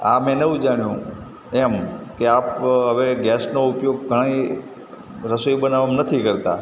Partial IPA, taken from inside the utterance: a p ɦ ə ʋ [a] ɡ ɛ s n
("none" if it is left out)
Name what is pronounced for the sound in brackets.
e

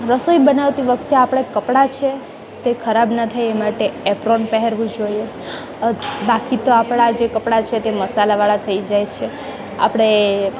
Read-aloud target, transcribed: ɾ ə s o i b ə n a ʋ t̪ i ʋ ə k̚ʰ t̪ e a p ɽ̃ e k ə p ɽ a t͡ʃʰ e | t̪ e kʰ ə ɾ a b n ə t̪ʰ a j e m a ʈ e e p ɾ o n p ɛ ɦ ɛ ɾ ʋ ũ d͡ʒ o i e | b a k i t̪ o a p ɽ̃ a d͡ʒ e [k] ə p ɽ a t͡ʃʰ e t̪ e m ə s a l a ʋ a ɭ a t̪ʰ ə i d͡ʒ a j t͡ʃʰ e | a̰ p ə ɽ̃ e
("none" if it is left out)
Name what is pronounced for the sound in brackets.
k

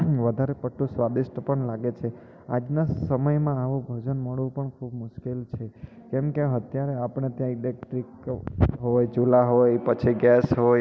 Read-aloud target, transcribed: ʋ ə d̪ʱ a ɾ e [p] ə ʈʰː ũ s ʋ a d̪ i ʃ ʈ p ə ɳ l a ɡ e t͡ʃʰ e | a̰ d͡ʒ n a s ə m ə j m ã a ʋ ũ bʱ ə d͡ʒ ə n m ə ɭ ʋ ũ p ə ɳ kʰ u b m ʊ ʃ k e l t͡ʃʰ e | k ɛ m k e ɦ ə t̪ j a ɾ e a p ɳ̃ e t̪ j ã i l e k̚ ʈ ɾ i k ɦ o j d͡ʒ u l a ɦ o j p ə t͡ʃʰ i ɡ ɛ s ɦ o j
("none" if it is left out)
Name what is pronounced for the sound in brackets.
p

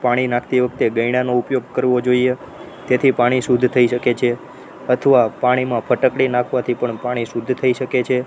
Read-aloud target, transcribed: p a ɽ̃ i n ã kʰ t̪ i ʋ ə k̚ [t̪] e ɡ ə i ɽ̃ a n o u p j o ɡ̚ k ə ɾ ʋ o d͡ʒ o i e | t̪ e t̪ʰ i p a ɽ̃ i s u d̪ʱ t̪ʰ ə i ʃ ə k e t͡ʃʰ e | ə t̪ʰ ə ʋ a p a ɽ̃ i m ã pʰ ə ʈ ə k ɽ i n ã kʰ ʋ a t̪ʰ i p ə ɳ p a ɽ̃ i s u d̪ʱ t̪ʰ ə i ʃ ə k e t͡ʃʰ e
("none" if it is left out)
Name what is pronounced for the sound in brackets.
t̪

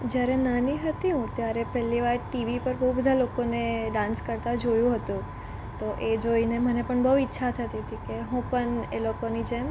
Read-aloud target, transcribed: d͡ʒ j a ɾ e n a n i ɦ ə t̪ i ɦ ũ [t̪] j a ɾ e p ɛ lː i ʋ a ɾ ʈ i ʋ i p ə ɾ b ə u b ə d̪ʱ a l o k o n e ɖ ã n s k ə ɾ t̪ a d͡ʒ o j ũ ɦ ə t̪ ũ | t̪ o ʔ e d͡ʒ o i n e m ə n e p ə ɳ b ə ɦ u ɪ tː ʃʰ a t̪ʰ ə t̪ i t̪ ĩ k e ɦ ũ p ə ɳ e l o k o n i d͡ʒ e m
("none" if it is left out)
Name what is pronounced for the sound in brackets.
t̪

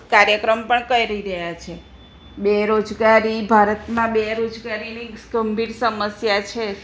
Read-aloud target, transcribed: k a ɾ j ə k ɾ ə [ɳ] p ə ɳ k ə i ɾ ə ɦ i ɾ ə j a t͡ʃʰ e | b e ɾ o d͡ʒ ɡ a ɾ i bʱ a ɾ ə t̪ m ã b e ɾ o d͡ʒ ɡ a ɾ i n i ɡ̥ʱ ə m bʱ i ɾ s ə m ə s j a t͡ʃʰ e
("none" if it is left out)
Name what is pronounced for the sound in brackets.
m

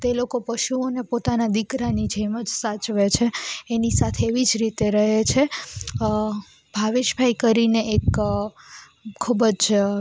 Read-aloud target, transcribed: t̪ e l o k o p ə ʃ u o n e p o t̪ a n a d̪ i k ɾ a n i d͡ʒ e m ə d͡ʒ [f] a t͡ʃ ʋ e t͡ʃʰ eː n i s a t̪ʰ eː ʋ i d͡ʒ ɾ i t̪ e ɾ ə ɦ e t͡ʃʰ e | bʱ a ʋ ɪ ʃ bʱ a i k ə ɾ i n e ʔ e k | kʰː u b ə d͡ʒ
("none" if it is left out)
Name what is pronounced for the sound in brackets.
s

